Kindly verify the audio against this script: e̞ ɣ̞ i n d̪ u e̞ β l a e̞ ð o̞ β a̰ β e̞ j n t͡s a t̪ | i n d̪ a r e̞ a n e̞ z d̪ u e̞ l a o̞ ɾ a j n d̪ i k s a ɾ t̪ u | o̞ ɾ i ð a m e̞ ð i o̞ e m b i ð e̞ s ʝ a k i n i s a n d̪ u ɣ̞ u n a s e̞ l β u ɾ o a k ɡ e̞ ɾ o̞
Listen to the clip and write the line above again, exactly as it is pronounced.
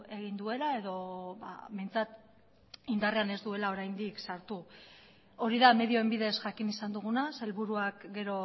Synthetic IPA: e̞ ɣ̞ i n d̪ u e̞ l a e̞ ð o̞ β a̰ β e̞ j n t͡s a t̪ | i n d̪ a r e̞ a n e̞ z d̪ u e̞ l a o̞ ɾ a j n d̪ i k s a ɾ t̪ u | o̞ ɾ i ð a m e̞ ð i o̞ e m b i ð e̞ s ʝ a k i n i s a n d̪ u ɣ̞ u n a s e̞ l β u ɾ u a k ɡ e̞ ɾ o̞